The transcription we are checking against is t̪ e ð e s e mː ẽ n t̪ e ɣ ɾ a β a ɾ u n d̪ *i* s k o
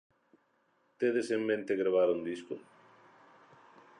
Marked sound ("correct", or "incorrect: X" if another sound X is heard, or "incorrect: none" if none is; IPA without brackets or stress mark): correct